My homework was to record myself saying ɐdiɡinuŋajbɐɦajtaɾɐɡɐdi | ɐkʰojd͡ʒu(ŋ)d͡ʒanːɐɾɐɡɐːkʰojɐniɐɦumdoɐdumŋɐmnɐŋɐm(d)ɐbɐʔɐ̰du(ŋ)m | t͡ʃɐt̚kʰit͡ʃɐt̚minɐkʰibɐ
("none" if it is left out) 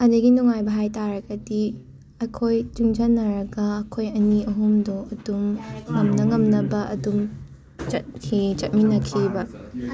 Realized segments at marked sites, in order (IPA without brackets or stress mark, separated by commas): ŋ, n, none